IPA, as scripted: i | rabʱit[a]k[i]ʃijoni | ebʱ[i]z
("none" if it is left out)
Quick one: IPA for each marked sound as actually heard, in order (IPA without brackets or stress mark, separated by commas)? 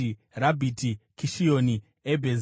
i, i, e